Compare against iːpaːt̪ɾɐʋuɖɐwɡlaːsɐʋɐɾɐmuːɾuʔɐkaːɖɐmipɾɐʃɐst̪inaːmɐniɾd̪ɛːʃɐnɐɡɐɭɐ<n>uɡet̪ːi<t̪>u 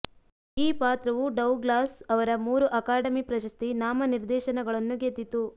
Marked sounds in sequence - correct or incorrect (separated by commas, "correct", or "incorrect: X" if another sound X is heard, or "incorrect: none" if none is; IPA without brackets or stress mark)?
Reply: incorrect: nː, correct